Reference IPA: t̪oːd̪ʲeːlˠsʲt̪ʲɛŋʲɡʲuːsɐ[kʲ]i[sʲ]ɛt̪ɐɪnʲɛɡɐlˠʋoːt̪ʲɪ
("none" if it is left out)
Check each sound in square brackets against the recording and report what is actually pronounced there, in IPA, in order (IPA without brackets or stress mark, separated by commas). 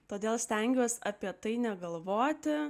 pʲ, none